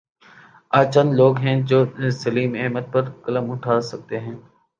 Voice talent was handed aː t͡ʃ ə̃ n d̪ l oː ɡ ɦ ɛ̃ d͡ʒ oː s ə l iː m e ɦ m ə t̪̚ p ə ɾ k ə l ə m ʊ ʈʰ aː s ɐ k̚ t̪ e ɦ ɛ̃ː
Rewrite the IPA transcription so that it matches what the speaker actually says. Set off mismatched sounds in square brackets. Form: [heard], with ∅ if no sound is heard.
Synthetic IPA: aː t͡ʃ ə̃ n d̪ l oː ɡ ɦ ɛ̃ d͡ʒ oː s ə l iː m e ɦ m ə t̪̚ p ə ɾ k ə l ə m ʊ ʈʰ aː s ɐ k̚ t̪ e ɦ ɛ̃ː